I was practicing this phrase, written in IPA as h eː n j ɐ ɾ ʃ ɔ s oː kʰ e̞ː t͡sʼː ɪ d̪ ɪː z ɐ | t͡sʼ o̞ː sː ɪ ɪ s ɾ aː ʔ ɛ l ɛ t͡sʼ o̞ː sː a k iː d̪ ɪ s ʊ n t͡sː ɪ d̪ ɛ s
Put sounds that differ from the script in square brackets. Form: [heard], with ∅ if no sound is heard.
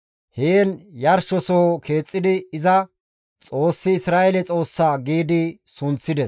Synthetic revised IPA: h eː n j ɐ ɾ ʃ ɔ s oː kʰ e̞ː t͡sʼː ɪ d̪ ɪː z ɐ | t͡sʼ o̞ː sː ɪ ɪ s ɾ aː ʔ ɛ l ɛ t͡sʼ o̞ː sː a [ɡ] iː d̪ ɪ s ʊ n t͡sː ɪ d̪ ɛ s